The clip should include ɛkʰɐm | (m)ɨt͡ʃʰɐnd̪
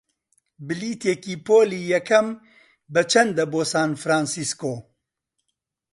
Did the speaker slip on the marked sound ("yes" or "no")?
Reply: yes